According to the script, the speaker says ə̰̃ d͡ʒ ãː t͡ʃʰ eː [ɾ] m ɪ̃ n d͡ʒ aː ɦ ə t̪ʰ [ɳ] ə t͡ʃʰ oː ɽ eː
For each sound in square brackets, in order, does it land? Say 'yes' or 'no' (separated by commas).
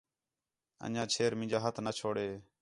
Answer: yes, no